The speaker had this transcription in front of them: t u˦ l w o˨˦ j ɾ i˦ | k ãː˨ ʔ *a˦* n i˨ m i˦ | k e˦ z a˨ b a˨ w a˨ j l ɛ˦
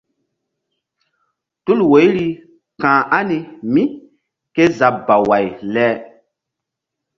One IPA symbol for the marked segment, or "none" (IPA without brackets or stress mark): a˦